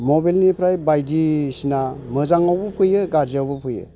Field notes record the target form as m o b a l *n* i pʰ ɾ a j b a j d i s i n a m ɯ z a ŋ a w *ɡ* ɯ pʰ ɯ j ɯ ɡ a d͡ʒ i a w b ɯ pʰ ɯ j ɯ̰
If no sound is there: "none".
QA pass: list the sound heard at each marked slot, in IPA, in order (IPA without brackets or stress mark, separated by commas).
n, b